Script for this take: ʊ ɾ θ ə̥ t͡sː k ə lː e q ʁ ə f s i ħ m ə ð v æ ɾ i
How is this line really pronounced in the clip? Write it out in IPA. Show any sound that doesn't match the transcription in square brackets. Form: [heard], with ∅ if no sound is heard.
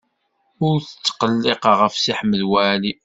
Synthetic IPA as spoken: ʊ ɾ θ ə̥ t͡sː [q] ə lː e q ʁ ə f s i ħ m ə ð [w] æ [l] i